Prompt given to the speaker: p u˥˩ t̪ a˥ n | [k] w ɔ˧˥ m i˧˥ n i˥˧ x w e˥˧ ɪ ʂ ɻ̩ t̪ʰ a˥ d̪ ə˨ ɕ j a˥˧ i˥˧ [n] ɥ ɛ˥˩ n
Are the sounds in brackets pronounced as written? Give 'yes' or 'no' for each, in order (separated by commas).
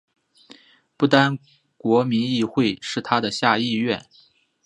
yes, no